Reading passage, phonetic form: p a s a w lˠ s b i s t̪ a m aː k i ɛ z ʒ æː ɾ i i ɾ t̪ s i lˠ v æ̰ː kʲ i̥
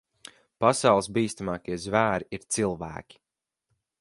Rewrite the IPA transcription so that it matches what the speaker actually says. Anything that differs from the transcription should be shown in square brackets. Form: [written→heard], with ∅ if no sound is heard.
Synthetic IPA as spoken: p a s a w lˠ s b [i→iː] s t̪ a m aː k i ɛ z [ʒ→v] æː ɾ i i ɾ t̪ s i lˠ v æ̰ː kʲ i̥